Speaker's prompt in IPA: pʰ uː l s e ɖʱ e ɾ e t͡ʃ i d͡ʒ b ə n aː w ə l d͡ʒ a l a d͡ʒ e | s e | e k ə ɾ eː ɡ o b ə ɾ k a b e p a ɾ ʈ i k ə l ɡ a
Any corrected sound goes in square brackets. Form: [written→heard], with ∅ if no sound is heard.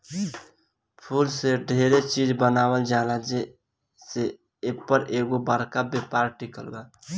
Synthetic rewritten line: pʰ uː l s e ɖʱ e ɾ e t͡ʃ i d͡ʒ b ə n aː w ə l d͡ʒ a l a d͡ʒ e | s e | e [k→p] ə ɾ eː ɡ o b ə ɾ k a b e p a ɾ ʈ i k ə l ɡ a